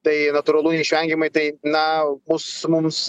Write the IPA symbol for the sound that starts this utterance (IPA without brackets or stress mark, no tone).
t̪